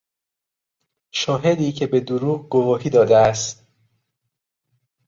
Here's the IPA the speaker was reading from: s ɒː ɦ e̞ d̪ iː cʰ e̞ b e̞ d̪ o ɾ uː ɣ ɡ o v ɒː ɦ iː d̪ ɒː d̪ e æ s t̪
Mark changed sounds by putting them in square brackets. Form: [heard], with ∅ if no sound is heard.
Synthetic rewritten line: [ʃ] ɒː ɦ e̞ d̪ iː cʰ e̞ b e̞ d̪ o ɾ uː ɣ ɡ o v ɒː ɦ iː d̪ ɒː d̪ e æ s t̪